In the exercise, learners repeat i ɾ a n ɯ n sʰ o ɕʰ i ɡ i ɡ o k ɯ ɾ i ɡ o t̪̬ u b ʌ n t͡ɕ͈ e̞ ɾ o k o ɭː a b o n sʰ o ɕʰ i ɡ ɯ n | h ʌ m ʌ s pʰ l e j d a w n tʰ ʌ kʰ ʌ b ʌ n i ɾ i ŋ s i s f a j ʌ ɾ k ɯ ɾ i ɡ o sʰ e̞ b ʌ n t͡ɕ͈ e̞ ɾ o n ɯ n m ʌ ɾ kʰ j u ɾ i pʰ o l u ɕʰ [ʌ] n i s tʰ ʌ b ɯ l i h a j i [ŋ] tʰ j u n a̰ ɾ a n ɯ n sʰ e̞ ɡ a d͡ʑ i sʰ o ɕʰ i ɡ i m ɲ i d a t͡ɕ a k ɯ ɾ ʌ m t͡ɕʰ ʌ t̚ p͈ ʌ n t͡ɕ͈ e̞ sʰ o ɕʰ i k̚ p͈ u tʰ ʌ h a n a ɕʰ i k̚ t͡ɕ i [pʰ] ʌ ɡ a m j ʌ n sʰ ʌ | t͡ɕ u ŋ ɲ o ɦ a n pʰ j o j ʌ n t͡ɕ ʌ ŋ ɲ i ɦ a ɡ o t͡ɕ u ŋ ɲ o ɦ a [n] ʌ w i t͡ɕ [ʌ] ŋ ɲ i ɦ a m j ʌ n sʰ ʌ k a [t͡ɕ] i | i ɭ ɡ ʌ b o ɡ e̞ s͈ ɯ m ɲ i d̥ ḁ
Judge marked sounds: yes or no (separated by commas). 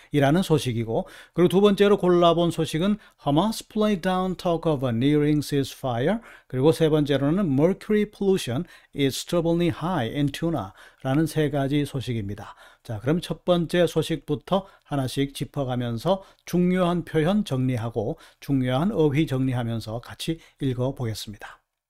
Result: yes, no, yes, yes, yes, no